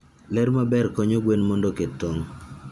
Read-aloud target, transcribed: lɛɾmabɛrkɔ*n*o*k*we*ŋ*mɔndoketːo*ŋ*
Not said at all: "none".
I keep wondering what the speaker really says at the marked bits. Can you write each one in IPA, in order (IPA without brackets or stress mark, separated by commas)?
ɲ, ɡ, n, ŋ